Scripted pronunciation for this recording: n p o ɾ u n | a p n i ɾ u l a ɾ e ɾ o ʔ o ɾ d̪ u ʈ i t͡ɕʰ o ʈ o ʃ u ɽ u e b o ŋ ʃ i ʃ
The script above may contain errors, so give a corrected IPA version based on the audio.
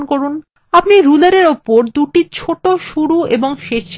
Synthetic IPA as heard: n k o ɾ u n | a p n i ɾ u l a ɾ e ɾ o p o ɾ d̪ u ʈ i t͡ɕʰ o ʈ o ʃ u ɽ u e b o ŋ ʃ e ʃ